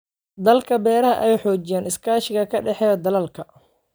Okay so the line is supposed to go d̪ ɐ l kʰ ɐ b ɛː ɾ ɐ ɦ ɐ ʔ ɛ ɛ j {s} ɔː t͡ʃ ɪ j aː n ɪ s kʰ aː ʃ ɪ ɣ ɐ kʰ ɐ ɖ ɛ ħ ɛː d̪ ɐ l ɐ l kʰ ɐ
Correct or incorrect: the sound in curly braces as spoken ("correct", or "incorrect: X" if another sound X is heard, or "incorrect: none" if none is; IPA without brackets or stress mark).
incorrect: ħ